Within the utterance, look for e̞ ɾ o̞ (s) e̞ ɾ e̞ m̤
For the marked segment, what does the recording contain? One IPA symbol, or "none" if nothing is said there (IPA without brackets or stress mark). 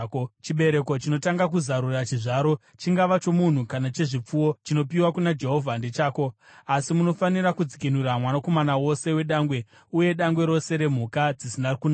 s